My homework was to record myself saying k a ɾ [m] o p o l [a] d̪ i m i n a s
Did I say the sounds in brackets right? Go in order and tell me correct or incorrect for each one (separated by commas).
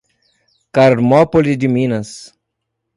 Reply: correct, incorrect